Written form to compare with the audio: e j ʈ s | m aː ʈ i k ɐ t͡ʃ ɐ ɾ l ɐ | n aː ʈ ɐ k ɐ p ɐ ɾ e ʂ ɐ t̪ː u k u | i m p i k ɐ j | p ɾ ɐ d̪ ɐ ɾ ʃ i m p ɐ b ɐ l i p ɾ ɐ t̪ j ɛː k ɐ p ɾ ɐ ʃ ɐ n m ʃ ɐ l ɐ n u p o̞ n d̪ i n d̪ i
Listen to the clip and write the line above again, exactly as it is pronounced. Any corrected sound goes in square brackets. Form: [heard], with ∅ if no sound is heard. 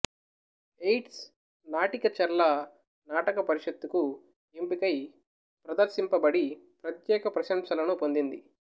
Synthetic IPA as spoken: e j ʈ s | [n] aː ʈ i k ɐ t͡ʃ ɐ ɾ l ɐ | n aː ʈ ɐ k ɐ p ɐ ɾ [i] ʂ ɐ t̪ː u k u | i m p i k ɐ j | p ɾ ɐ d̪ ɐ ɾ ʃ i m p ɐ b ɐ [ɽ] i p ɾ ɐ t̪ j ɛː k ɐ p ɾ ɐ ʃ ɐ [∅] m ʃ ɐ l ɐ n u p o̞ n d̪ i n d̪ i